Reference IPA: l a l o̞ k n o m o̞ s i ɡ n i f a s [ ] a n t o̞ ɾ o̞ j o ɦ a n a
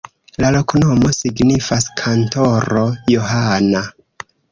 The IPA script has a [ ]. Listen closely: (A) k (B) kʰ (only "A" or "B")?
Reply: B